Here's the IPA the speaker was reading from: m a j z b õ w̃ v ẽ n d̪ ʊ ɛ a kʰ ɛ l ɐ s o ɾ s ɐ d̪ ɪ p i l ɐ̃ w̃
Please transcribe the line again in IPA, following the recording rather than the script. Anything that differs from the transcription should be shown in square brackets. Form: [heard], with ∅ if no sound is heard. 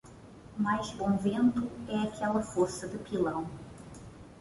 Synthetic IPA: m a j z b õ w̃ v ẽ n [t̪] ʊ ɛ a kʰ ɛ l ɐ [f] o ɾ s ɐ d̪ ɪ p i l ɐ̃ w̃